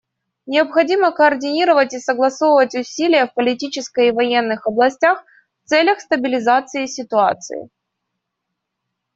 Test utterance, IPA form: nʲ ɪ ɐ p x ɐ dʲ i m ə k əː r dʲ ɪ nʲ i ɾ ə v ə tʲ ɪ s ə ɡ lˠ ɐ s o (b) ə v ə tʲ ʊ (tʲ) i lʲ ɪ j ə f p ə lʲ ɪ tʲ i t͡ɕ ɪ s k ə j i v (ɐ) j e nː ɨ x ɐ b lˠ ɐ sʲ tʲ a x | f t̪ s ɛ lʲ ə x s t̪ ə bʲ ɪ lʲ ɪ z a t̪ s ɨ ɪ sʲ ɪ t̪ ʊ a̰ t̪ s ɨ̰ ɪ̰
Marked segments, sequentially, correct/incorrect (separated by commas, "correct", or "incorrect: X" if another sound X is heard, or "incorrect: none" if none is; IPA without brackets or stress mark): incorrect: v, incorrect: sʲ, correct